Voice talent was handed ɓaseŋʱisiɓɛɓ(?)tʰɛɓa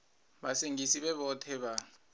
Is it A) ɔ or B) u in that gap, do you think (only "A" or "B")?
A